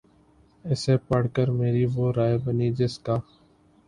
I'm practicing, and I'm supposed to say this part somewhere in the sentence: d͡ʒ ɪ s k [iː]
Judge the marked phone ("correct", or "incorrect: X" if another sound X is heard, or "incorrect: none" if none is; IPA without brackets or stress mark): incorrect: aː